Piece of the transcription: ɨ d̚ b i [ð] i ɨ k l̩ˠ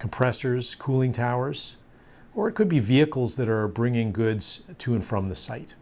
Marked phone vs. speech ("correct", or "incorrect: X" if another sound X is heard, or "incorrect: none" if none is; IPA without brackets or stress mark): incorrect: v